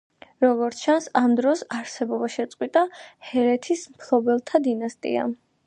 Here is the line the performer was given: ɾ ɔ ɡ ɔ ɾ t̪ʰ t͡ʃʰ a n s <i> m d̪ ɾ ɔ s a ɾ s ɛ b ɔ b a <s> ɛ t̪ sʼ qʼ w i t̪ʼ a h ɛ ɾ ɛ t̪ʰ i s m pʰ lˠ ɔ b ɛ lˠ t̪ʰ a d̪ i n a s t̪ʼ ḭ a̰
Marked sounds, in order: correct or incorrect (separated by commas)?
incorrect, incorrect